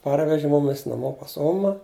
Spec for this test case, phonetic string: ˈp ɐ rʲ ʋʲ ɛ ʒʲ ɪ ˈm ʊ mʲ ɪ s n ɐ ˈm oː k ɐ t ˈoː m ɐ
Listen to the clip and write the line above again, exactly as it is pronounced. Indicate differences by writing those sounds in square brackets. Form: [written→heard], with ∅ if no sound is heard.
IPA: ˈp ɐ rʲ ʋʲ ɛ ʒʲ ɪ ˈm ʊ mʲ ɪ s n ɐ ˈm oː [k→p] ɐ [t→s] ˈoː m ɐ